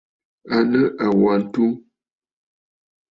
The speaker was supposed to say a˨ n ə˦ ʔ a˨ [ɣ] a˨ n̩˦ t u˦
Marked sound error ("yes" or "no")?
yes